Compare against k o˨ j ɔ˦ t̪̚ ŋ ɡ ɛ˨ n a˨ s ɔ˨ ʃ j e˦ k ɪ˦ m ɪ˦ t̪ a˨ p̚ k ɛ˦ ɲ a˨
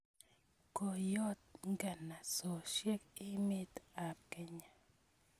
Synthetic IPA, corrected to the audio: k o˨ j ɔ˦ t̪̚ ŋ ɡ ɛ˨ n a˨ s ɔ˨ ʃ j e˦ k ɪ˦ m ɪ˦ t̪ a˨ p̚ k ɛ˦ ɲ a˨